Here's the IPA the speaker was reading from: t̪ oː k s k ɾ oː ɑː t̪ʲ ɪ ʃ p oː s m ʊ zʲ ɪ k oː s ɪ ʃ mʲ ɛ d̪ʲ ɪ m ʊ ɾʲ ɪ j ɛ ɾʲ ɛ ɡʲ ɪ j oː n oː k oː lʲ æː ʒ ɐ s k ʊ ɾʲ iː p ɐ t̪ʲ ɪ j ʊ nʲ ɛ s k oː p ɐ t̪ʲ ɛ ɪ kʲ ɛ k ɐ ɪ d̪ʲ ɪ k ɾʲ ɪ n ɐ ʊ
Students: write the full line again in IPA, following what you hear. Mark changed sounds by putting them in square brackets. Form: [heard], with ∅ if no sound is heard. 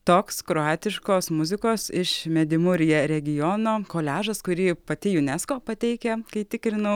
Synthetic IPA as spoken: t̪ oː k s k ɾ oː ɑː t̪ʲ ɪ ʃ [k] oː s m ʊ zʲ ɪ k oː s ɪ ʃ mʲ ɛ d̪ʲ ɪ m ʊ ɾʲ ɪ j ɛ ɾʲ ɛ ɡʲ ɪ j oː n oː k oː lʲ æː ʒ ɐ s k ʊ ɾʲ iː p ɐ t̪ʲ ɪ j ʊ nʲ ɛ s k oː p ɐ t̪ʲ ɛ ɪ kʲ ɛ k ɐ ɪ [t̪ʲ] ɪ k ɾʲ ɪ n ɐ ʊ